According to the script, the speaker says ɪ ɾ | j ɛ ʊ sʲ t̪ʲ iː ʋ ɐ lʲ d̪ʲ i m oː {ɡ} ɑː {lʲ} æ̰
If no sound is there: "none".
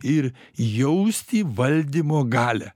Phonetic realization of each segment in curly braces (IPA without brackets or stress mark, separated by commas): ɡ, lʲ